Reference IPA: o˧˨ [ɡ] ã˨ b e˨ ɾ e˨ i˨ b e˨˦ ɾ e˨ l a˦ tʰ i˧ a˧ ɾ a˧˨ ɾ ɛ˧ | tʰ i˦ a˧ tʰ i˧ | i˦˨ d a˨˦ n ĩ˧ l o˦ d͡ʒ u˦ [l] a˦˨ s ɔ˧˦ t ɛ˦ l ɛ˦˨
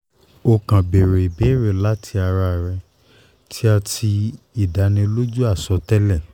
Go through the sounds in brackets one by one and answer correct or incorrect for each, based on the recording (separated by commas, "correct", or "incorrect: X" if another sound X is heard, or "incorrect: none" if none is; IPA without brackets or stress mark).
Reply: incorrect: k, incorrect: none